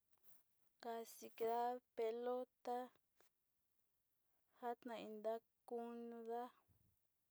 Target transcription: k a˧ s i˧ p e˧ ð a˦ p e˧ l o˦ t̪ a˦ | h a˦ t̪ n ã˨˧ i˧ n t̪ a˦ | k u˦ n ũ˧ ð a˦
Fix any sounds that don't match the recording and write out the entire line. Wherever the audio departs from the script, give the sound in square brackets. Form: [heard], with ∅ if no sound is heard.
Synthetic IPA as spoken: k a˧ s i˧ [k] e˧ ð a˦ p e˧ l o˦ t̪ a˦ | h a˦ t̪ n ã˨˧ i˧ n [d̪] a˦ | k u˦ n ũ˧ ð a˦